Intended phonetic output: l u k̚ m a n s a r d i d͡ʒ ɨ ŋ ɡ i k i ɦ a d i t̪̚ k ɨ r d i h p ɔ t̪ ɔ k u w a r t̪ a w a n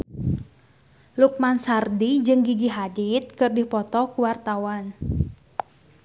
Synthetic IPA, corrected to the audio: l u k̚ m a n s a r d i d͡ʒ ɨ ŋ ɡ i ɡ i ɦ a d i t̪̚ k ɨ r d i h p ɔ t̪ ɔ k u w a r t̪ a w a n